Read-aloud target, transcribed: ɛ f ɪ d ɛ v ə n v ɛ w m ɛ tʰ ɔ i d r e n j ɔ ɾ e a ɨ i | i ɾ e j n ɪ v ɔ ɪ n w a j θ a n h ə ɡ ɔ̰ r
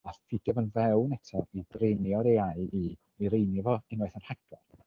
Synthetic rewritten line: a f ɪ d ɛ v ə n v ɛ w n ɛ tʰ ɔ i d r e n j ɔ ɾ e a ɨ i | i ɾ e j n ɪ v ɔ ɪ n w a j θ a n h a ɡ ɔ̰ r